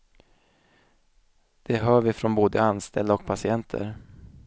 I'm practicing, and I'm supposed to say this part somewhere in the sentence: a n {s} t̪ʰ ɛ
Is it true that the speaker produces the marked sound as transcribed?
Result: yes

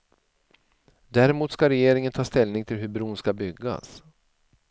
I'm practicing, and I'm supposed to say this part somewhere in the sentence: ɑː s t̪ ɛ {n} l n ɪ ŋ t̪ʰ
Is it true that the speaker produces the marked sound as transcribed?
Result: no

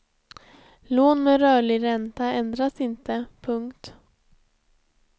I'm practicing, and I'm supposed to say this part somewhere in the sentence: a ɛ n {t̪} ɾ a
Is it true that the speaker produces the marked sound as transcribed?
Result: no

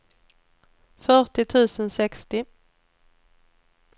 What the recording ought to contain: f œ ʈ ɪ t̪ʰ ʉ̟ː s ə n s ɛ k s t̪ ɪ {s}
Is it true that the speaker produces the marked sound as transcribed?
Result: no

